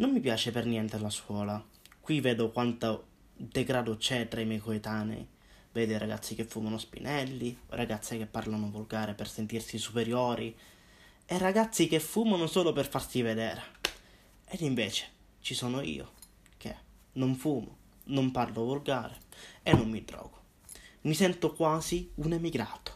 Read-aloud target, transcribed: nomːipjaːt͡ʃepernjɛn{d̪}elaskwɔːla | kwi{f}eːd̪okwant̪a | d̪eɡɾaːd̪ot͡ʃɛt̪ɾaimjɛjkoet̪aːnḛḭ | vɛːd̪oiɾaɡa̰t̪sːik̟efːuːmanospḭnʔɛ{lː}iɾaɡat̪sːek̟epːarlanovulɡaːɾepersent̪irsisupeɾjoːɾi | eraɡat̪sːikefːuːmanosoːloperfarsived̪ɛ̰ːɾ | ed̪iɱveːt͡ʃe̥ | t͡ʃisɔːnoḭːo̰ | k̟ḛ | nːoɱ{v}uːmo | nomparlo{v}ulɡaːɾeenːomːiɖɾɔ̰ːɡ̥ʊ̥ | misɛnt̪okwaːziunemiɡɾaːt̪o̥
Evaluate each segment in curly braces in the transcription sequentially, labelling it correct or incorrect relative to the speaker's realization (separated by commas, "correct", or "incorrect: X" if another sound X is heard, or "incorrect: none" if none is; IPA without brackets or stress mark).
incorrect: t̪, incorrect: v, correct, incorrect: f, correct